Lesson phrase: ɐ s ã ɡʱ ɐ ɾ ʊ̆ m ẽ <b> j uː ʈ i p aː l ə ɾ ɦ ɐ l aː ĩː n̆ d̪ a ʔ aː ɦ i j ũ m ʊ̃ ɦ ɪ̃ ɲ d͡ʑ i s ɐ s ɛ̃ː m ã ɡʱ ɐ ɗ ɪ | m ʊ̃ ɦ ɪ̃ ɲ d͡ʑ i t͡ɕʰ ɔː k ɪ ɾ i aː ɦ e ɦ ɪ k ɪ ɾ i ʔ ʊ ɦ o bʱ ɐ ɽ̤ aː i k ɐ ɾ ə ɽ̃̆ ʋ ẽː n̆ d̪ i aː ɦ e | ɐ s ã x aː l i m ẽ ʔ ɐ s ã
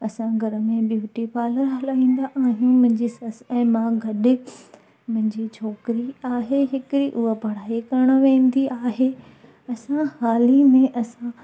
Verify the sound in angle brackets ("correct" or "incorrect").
correct